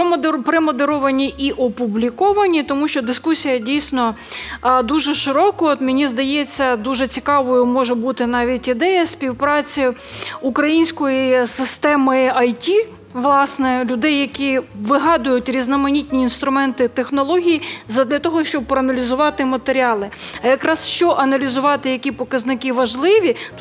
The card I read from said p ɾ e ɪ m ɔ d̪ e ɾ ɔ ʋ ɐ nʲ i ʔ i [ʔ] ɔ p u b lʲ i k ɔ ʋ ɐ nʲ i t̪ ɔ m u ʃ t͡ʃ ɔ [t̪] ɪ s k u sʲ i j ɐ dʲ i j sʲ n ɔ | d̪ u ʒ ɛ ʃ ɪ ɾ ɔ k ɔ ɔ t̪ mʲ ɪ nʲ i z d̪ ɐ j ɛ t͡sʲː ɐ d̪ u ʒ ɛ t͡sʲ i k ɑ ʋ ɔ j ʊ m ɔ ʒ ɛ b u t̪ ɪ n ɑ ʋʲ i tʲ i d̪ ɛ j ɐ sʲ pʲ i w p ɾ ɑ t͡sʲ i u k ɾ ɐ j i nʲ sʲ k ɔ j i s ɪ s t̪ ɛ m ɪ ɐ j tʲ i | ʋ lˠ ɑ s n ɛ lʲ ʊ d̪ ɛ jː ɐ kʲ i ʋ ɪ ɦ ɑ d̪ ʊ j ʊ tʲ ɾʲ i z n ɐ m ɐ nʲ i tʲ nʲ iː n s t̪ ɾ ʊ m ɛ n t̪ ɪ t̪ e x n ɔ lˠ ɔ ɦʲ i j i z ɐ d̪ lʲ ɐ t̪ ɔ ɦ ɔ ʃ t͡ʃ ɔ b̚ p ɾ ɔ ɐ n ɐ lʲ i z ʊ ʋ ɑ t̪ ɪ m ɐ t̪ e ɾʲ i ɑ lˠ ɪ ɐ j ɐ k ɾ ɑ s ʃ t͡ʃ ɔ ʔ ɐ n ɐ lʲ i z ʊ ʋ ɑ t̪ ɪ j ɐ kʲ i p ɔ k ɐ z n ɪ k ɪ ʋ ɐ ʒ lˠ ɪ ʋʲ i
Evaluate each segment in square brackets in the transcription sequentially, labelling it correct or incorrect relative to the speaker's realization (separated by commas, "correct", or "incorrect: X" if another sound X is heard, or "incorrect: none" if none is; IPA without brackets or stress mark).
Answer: correct, incorrect: d̪